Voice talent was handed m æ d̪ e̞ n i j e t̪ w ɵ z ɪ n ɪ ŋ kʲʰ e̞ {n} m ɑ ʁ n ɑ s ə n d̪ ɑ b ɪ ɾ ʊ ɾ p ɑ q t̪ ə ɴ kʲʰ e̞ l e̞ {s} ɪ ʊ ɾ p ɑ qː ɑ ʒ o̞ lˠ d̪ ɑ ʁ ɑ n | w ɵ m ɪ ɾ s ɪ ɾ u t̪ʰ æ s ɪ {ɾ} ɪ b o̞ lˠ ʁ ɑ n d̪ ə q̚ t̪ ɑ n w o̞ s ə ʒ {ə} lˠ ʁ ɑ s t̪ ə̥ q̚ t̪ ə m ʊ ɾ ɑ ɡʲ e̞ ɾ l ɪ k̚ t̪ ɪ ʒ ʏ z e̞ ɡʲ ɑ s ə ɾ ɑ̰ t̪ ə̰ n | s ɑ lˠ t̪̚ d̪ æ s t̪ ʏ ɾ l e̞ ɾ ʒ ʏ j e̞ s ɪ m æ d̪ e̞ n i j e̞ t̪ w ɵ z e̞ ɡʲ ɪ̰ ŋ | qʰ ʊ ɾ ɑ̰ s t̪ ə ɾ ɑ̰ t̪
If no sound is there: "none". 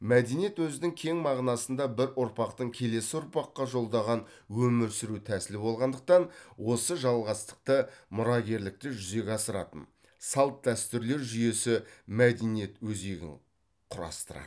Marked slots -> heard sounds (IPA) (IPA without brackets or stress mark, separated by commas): ŋ, s, l, ɑ